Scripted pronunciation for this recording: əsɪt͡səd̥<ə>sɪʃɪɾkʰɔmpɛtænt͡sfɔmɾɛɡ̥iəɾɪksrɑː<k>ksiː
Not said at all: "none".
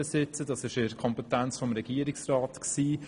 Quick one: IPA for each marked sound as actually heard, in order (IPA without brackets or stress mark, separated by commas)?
ɑ, t